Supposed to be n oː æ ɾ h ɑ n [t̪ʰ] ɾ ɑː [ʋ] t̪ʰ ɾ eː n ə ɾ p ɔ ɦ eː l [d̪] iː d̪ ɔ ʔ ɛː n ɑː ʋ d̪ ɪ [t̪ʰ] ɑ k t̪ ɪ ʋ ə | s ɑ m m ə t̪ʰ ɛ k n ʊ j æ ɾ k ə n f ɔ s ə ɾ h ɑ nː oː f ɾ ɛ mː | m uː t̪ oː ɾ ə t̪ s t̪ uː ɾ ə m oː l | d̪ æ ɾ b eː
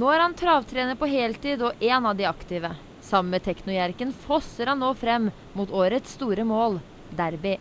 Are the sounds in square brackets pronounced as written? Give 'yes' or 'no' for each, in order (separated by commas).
yes, yes, no, no